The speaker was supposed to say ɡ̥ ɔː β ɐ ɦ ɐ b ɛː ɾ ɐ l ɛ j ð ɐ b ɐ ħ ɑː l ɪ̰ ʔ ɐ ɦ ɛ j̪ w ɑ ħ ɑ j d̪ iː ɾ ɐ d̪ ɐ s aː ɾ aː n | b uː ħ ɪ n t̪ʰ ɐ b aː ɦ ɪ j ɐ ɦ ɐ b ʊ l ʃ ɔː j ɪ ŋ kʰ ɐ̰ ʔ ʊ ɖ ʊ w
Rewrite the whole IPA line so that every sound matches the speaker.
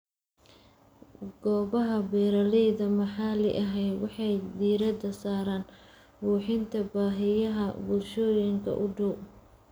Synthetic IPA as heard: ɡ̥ ɔː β ɐ ɦ ɐ b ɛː ɾ ɐ l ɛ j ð ɐ m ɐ ħ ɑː l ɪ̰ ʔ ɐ ɦ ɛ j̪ w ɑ ħ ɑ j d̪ iː ɾ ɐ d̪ ɐ s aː ɾ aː n | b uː ħ ɪ n t̪ʰ ɐ b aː ɦ ɪ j ɐ ɦ ɐ b ʊ l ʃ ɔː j ɪ ŋ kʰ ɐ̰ ʔ ʊ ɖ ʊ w